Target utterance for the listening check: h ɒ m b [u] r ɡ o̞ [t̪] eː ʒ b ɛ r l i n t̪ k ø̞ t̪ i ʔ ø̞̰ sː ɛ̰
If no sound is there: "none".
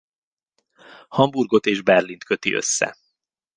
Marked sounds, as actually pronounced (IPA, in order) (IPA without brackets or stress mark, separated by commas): u, t̪